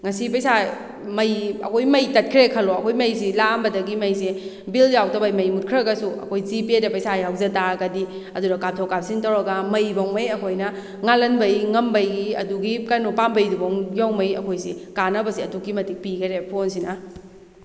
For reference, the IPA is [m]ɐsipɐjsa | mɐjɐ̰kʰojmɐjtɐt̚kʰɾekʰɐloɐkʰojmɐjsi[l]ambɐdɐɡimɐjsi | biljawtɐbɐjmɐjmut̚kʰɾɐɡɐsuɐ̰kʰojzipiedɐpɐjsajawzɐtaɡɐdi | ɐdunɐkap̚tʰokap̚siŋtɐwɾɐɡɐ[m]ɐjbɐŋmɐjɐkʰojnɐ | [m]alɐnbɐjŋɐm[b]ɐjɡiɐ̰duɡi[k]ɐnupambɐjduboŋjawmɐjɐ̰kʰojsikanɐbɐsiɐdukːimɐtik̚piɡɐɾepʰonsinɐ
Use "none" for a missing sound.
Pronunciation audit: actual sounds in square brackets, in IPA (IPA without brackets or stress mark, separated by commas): ŋ, l, m, ŋ, b, k